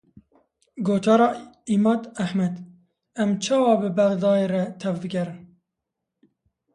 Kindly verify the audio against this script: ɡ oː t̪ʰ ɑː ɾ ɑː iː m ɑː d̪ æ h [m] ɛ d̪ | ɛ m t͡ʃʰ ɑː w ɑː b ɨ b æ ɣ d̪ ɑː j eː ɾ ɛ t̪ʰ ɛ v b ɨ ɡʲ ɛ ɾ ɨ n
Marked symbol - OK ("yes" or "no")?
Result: yes